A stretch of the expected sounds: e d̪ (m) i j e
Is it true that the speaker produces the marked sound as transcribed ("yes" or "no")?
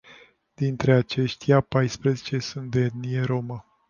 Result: no